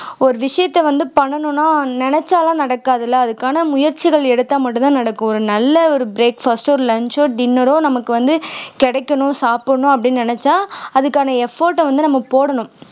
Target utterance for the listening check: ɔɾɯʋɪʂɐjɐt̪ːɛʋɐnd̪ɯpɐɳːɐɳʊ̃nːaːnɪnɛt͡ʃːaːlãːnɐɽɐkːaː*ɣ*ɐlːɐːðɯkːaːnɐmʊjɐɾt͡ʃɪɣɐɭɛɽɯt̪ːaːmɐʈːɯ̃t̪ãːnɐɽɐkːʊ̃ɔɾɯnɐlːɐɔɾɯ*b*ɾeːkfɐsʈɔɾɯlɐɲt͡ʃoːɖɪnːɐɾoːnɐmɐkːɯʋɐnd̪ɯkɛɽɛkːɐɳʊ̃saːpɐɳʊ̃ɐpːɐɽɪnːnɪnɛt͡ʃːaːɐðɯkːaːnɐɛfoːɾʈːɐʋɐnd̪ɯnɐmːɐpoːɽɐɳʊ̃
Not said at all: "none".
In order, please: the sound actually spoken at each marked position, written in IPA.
ð, b

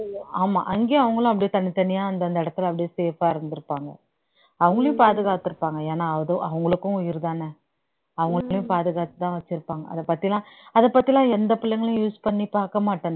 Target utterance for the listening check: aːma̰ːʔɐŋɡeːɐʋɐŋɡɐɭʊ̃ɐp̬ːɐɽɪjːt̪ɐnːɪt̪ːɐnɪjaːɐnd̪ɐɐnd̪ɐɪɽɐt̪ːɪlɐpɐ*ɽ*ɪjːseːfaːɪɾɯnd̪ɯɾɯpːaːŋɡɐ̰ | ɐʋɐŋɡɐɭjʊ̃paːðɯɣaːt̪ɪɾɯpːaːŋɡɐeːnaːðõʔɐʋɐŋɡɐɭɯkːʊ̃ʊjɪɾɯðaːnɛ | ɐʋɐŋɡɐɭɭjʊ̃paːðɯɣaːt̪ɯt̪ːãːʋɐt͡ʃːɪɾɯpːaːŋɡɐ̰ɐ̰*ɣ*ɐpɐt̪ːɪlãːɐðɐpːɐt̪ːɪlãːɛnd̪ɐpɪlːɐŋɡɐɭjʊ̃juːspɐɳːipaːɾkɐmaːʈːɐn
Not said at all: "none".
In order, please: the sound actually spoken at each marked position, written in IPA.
ɽ, ð

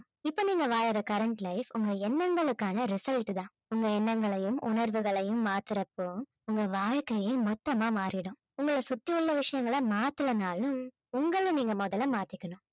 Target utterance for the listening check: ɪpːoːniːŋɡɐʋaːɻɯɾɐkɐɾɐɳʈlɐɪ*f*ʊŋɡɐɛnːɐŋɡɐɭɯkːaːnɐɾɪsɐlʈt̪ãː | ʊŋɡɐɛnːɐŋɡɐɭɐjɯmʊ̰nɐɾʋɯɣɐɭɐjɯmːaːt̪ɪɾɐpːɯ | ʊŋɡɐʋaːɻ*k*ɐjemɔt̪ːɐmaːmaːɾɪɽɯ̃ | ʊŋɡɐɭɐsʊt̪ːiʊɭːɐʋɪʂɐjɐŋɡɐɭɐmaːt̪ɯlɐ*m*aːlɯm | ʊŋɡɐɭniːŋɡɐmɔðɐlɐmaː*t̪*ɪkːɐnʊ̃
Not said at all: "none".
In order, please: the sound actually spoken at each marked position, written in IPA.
f, k, n, t̪

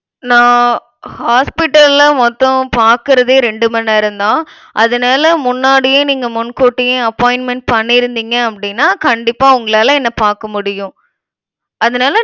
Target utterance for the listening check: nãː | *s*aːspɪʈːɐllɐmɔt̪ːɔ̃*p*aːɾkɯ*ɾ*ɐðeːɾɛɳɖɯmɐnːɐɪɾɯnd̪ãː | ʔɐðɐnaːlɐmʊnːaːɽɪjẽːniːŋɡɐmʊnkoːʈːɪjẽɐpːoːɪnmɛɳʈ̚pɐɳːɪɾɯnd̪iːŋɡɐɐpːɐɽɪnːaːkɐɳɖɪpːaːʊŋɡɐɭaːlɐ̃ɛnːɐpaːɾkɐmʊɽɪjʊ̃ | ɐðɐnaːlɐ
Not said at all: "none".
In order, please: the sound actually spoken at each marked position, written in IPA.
h, p, ɾ

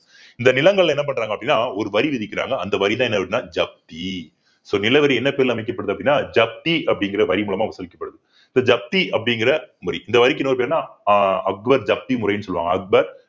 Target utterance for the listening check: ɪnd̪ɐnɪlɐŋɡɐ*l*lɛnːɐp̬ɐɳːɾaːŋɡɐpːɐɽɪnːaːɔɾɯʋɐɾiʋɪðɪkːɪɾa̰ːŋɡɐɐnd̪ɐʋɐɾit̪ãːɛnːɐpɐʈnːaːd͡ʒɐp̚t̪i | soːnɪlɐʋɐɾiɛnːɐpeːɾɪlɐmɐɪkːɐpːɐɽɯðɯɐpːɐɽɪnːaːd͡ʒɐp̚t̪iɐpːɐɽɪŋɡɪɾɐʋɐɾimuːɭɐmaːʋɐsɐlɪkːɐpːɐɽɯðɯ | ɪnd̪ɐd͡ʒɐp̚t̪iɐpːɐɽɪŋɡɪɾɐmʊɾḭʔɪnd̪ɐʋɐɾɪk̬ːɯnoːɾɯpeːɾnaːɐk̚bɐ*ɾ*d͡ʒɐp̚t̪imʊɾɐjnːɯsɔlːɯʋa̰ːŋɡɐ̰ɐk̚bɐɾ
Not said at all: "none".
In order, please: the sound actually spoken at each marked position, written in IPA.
ɭ, ɾ

